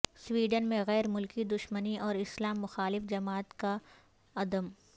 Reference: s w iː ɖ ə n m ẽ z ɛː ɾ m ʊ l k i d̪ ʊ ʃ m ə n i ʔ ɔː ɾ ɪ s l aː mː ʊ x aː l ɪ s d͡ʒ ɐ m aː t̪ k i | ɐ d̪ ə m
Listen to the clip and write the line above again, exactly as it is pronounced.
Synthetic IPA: s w iː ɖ ə n m ẽ ɣ ɛː ɾ m ʊ l k i d̪ ʊ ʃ m ə n i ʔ ɔː ɾ ɪ s l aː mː ʊ x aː l ɪ f d͡ʒ ɐ m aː t̪ k a | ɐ d̪ ə m